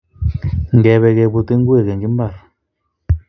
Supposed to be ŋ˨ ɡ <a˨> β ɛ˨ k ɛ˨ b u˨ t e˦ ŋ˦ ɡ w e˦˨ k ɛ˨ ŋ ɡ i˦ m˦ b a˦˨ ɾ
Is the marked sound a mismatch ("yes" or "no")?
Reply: yes